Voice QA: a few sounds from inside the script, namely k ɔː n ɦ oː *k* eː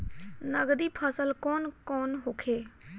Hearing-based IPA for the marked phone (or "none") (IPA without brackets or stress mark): kʰ